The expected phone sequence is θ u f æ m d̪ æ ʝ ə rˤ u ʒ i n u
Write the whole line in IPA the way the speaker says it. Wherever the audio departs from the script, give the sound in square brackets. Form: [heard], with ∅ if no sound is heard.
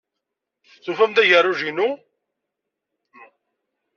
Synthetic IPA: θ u f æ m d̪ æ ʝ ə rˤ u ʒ i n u